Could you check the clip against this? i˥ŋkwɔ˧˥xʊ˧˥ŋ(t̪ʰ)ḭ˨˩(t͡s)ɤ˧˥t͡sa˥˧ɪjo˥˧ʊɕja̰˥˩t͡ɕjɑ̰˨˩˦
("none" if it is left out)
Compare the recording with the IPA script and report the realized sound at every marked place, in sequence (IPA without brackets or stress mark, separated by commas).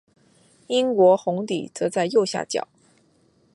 t̪, t͡s